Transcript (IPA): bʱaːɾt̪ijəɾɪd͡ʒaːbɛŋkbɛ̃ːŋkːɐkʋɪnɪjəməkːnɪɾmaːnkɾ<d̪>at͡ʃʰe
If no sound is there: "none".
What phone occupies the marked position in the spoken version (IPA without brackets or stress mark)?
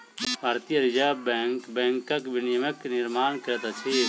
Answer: t̪